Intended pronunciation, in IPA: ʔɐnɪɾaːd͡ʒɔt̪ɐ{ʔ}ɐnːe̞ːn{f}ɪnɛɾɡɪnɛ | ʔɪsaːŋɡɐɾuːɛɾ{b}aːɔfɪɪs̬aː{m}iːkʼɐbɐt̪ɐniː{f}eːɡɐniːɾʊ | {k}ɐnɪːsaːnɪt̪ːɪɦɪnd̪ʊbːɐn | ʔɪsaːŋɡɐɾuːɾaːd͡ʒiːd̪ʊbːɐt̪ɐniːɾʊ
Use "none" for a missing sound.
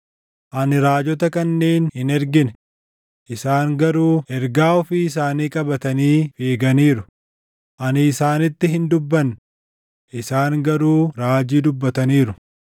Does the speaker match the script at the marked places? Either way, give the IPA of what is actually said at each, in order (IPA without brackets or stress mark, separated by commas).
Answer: k, h, ɡ, n, f, ʔ